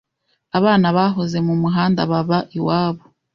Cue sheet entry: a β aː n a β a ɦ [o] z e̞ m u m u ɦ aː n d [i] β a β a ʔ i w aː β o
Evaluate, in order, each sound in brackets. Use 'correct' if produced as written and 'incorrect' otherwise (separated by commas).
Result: correct, incorrect